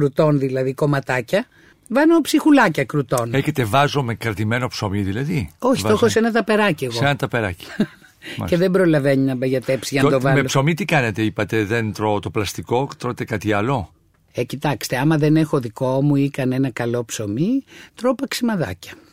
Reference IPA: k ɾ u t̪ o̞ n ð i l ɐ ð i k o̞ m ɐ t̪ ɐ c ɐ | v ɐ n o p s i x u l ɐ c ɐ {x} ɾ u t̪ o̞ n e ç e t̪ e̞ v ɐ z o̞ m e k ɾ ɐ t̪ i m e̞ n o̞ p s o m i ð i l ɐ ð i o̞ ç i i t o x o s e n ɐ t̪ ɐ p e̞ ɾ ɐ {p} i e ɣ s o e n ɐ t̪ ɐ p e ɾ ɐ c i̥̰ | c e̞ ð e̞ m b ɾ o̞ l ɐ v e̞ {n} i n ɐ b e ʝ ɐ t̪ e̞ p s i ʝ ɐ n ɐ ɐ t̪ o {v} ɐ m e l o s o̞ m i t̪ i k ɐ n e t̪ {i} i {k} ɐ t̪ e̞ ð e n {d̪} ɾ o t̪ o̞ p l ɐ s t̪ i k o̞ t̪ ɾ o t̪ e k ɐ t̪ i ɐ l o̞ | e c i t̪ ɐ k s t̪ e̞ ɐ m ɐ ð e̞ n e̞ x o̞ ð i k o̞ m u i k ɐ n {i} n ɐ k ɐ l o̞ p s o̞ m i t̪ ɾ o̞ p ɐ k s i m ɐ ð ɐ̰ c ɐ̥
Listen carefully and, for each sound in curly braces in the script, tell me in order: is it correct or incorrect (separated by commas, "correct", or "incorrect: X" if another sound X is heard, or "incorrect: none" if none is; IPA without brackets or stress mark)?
incorrect: k, incorrect: c, incorrect: ɲ, correct, incorrect: e, incorrect: p, incorrect: t̪, incorrect: e